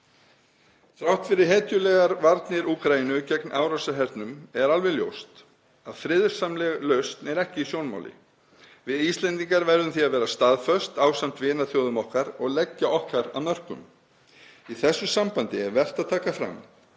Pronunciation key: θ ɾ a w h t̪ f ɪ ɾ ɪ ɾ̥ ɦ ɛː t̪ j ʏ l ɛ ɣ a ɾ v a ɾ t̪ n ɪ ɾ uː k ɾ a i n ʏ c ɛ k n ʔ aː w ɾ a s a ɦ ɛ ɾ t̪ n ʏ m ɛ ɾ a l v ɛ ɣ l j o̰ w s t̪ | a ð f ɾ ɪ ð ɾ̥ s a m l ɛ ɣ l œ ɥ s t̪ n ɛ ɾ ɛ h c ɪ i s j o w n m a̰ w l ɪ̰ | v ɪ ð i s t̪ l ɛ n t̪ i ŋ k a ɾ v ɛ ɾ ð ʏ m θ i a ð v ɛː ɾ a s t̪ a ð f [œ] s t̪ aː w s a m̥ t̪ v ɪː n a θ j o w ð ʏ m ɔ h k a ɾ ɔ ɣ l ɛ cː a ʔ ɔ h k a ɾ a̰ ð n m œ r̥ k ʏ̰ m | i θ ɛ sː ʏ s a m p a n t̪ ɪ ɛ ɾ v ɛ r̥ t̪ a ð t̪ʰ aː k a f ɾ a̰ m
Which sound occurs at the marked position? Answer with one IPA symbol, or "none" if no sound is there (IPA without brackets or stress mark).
œ